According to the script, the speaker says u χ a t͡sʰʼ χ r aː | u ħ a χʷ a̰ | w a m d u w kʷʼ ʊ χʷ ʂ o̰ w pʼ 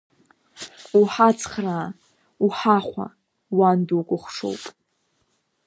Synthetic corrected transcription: u ħ a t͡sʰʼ χ r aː | u ħ a χʷ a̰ | w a n d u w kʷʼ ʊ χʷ ʂ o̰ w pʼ